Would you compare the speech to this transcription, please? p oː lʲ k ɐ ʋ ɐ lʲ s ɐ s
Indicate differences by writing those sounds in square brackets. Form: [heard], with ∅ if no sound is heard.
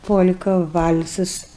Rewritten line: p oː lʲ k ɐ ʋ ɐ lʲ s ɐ s